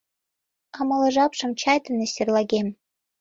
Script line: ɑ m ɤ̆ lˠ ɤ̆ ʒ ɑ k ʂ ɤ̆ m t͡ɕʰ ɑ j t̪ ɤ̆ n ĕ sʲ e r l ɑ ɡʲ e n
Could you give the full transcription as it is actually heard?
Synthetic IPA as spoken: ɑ m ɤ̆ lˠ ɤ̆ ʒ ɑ p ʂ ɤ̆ m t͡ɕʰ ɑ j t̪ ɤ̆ n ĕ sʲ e r l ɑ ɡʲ e m